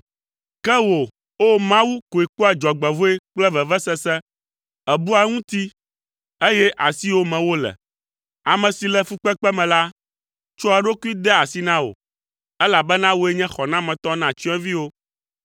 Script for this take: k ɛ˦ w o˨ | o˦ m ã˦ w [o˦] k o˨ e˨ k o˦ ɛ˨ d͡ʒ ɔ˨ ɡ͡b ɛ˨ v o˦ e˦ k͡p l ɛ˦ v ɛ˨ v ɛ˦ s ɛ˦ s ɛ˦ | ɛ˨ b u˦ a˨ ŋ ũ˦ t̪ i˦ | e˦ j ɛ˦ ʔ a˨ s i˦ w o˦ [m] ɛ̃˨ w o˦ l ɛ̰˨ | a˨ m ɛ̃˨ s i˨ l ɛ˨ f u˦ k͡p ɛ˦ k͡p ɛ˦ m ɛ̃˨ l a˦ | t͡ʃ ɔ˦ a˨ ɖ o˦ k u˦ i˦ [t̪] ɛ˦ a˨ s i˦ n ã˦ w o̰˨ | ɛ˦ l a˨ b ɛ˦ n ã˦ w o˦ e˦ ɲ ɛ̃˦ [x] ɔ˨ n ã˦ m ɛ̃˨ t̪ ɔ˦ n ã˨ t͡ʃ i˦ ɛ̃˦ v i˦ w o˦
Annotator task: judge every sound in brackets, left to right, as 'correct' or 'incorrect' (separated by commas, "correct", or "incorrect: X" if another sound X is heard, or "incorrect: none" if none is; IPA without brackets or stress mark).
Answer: incorrect: u˦, correct, incorrect: d̪, correct